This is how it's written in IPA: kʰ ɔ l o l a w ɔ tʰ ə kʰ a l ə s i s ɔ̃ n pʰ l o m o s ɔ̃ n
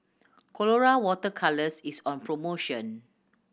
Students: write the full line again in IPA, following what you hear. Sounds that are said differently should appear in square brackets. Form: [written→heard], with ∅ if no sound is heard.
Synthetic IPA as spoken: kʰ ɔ l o [l→ɹ] a w ɔ [tʰ→t] ə kʰ a l ə s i s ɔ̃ n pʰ [l→ɹ] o m o [s→ʃ] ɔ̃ n